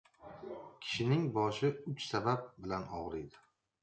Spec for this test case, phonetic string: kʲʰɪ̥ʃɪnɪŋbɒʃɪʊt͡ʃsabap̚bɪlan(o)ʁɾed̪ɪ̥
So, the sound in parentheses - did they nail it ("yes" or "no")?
no